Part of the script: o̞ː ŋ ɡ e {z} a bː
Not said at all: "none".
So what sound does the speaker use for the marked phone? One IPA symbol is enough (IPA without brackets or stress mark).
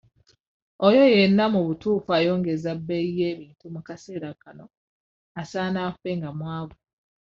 z